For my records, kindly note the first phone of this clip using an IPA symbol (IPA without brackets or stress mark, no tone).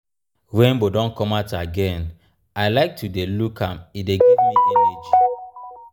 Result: w